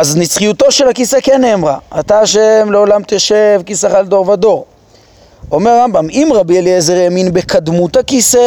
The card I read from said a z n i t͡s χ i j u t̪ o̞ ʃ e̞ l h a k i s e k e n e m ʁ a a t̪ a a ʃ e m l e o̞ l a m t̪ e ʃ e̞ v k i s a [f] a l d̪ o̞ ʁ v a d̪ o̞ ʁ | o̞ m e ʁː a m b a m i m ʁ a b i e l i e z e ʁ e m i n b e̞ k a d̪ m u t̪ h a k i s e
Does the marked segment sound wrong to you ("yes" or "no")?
yes